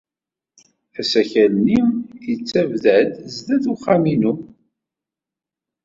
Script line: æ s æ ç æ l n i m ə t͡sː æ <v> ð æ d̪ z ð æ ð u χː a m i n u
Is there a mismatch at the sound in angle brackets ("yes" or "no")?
no